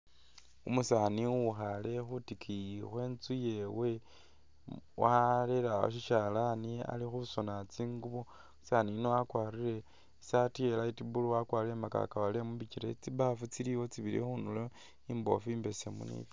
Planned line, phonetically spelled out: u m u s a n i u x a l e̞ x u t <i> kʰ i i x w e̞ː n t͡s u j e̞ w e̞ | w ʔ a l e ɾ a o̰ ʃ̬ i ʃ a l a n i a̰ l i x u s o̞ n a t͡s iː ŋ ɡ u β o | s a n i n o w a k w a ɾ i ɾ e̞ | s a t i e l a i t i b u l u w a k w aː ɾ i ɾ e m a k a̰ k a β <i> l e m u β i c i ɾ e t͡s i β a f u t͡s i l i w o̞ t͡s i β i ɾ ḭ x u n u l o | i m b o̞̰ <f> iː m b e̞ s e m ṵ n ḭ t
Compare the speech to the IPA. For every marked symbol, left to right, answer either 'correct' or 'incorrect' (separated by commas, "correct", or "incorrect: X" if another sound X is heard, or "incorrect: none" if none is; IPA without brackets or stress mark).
correct, incorrect: a, correct